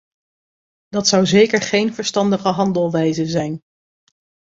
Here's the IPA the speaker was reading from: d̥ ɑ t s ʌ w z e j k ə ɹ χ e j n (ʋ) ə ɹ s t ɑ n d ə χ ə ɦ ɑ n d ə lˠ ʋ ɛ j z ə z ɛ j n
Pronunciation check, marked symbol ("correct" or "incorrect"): incorrect